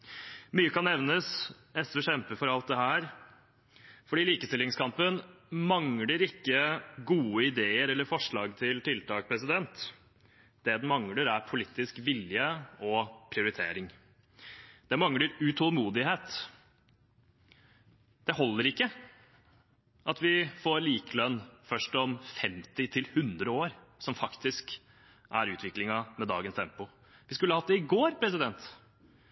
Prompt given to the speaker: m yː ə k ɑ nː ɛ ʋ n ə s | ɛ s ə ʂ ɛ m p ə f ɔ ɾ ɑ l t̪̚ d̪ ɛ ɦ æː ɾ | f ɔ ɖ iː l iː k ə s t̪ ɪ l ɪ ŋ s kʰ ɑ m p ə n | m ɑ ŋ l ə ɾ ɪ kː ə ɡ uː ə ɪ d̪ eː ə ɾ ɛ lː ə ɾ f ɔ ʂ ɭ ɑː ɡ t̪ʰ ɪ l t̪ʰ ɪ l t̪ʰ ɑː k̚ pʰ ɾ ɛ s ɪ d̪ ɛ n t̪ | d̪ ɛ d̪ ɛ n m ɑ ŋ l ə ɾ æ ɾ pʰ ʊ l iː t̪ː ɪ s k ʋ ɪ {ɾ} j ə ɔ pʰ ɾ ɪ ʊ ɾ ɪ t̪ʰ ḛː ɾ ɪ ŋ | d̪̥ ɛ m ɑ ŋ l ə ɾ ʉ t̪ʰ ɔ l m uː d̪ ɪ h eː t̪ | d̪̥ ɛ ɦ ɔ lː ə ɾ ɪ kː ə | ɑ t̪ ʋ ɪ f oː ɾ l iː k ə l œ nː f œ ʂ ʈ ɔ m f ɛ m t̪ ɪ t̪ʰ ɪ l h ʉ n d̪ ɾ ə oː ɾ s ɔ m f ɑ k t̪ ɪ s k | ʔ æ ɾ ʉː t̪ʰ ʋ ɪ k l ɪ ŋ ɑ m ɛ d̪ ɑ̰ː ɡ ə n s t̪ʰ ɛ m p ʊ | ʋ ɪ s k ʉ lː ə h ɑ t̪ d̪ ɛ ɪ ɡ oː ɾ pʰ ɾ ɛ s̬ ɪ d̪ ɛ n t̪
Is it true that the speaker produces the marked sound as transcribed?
no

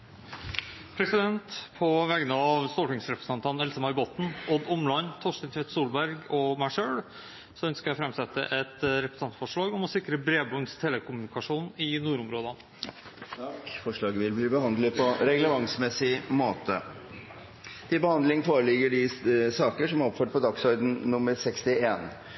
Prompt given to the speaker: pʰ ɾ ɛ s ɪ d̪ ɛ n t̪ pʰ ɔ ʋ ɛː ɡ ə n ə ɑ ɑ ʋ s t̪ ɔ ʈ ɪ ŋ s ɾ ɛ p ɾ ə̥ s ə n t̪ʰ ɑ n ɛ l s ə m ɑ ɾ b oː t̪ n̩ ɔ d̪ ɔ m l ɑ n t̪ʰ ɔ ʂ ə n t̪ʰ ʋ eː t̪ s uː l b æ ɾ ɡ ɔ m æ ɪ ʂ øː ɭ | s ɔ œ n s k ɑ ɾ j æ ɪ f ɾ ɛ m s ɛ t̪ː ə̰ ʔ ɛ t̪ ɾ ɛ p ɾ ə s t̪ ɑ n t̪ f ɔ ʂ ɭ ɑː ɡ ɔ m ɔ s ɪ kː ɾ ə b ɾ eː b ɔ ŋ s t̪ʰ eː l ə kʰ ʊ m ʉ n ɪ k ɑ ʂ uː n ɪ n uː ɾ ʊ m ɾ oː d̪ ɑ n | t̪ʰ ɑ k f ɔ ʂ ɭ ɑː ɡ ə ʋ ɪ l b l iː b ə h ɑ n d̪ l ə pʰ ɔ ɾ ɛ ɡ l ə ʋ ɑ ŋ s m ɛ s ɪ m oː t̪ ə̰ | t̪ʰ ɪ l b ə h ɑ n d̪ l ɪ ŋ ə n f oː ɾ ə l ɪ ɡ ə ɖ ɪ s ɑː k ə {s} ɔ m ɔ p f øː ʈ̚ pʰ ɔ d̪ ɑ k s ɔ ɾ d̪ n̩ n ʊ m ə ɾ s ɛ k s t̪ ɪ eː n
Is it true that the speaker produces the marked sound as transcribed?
no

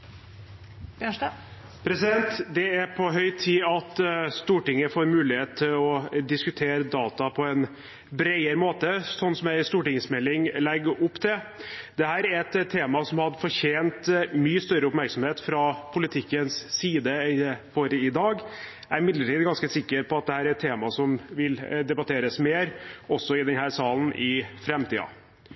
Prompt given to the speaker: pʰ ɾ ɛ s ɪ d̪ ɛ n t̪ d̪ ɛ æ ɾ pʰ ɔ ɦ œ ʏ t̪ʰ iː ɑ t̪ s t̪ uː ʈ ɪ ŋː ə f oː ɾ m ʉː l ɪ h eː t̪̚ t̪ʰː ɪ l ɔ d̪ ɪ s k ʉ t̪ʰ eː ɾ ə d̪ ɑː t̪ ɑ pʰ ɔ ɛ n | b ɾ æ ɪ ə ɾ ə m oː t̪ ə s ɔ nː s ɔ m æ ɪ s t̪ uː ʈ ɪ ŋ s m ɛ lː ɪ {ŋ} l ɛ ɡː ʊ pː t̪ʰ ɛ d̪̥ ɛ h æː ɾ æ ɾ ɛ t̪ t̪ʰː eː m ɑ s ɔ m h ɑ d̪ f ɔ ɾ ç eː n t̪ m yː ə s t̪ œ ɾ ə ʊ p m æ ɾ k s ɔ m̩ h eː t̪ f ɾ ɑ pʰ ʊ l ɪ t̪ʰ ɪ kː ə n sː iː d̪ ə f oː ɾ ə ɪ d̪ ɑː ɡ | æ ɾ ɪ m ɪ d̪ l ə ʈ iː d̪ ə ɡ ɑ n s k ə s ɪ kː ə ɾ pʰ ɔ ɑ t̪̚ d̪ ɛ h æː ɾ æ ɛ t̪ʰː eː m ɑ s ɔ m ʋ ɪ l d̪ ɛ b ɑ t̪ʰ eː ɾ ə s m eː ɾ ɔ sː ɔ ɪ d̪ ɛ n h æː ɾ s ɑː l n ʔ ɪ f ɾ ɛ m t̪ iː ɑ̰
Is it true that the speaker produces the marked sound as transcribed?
yes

